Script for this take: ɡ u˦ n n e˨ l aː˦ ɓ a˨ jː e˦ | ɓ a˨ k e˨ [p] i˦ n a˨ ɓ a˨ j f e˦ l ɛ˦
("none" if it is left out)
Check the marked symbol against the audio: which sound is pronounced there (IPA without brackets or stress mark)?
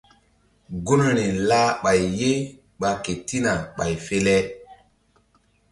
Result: t